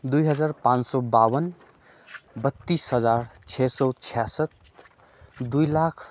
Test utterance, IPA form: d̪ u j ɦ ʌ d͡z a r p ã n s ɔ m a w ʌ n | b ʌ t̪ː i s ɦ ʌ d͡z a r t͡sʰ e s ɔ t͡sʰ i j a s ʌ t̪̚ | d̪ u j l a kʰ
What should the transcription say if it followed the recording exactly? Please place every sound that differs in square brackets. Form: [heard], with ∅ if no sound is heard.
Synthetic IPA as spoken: d̪ u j ɦ ʌ d͡z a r p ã n s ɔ [b] a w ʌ n | b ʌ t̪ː i s ɦ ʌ d͡z a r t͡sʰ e s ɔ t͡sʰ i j a s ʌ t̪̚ | d̪ u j l a kʰ

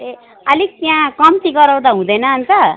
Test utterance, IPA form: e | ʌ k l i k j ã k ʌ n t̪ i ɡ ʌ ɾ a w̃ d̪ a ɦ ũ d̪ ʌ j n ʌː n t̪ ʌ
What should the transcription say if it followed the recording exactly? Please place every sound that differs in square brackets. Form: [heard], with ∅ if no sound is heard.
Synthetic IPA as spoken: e | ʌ [∅] l i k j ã k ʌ [m] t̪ i ɡ ʌ ɾ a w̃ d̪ a ɦ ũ d̪ ʌ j n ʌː n t̪ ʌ

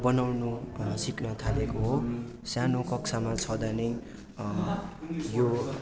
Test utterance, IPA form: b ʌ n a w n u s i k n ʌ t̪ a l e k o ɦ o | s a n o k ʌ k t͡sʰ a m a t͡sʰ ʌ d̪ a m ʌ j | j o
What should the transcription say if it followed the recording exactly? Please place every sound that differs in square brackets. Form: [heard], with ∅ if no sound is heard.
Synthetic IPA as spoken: b ʌ n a w n u s i k n ʌ [t̪ʰ] a l e k o ɦ o | s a n o k ʌ k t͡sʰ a m a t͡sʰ ʌ d̪ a [n] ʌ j | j o

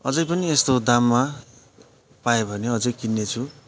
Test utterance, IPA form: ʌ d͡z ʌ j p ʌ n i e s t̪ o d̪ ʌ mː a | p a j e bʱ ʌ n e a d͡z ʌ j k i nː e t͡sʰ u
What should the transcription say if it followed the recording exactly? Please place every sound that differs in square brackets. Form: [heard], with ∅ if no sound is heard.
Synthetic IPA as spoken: ʌ d͡z ʌ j p ʌ n i e s t̪ o d̪ [a] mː a | p a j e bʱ ʌ n e [ʌ] d͡z ʌ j k i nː e t͡sʰ u

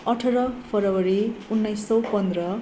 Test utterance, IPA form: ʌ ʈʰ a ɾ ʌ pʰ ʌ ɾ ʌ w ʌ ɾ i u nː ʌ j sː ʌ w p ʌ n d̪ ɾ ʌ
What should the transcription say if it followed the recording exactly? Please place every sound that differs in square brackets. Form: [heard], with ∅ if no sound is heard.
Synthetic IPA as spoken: ʌ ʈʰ [ʌ] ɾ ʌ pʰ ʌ ɾ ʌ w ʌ ɾ i u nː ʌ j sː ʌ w p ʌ n d̪ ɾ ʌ

